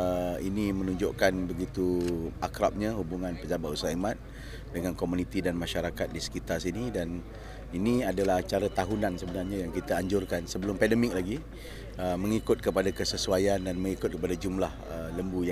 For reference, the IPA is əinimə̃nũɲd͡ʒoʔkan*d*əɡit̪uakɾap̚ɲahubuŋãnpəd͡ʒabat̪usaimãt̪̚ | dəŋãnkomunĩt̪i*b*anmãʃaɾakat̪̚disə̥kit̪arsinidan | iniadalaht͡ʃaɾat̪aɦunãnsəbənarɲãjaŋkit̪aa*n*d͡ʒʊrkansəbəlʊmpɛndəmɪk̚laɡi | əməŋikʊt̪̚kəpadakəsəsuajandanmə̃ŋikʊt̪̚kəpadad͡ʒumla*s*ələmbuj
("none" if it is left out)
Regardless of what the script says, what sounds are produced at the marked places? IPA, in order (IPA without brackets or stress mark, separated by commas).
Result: b, d, ɲ, h